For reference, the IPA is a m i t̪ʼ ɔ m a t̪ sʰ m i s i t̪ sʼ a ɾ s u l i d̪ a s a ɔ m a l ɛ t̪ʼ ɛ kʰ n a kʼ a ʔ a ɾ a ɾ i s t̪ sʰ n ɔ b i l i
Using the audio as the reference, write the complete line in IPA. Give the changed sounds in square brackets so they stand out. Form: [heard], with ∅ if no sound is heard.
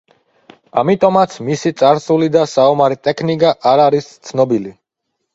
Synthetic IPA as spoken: a m i t̪ʼ ɔ m a t̪ sʰ m i s i t̪ sʼ a ɾ s u l i d̪ a s a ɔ m a [ɾ] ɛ t̪ʼ ɛ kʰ n [i] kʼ a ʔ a ɾ a ɾ i s t̪ sʰ n ɔ b i l i